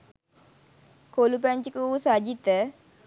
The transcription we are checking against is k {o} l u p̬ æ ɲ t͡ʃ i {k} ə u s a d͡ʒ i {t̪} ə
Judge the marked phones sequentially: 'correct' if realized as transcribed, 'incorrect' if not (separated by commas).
correct, correct, correct